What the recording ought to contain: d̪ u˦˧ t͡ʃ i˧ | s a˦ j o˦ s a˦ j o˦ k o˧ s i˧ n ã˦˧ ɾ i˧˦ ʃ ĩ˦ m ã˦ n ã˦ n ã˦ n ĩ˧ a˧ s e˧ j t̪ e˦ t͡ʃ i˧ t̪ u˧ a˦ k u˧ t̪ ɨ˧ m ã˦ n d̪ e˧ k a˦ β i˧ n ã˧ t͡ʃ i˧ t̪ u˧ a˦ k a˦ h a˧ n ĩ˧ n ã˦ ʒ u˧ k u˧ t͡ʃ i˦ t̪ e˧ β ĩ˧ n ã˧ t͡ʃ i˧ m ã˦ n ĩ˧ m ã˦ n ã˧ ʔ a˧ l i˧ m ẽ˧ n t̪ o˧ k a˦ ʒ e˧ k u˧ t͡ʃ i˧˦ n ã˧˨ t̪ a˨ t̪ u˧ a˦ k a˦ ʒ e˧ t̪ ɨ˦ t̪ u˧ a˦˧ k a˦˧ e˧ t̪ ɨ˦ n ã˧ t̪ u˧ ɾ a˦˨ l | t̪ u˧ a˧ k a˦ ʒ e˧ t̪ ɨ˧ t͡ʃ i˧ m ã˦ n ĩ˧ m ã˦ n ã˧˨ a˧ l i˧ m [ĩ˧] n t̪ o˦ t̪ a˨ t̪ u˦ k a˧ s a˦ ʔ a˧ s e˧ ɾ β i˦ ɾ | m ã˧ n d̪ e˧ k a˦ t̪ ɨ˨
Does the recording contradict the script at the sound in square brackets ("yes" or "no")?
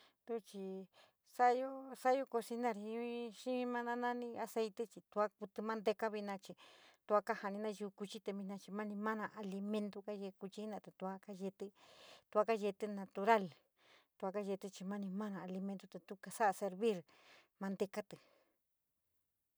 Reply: yes